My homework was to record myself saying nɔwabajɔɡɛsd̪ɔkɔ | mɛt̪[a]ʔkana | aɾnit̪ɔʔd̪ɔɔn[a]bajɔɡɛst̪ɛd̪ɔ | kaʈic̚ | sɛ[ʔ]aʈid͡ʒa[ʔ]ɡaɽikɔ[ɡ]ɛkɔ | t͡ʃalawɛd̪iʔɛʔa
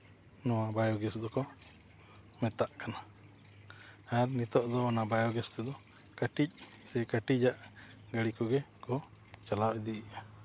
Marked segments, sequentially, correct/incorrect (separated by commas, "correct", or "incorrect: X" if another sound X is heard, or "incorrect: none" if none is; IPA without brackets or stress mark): correct, correct, incorrect: k, correct, correct